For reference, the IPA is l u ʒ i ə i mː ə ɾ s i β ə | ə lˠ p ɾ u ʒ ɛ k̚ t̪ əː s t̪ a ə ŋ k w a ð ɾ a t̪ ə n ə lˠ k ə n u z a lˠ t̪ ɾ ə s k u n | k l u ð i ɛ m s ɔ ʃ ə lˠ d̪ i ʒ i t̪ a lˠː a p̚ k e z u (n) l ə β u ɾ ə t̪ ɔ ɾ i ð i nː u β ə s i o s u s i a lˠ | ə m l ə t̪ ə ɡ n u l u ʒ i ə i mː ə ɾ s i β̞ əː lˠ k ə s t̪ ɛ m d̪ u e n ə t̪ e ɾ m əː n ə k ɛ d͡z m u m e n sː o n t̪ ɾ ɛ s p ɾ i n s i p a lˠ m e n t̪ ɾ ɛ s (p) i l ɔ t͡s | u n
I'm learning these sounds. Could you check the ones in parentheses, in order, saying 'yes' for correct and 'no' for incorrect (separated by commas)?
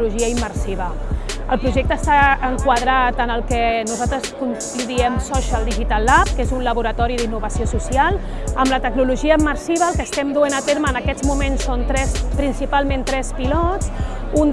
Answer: yes, yes